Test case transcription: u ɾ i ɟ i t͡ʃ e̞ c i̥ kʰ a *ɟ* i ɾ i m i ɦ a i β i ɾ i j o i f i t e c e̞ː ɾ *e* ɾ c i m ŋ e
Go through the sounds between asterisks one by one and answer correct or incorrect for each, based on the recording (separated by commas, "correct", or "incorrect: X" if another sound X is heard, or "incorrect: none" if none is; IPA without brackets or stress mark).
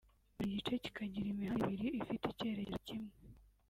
correct, correct